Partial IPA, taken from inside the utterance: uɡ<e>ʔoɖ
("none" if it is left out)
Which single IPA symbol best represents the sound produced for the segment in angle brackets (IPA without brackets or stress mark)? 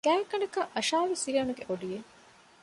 e